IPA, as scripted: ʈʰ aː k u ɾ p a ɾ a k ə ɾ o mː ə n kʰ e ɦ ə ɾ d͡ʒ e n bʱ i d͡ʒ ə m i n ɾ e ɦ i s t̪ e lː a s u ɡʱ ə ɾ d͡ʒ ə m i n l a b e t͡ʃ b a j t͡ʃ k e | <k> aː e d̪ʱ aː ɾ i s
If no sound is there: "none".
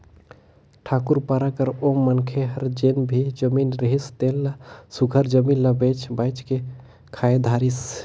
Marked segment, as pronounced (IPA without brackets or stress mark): kʰ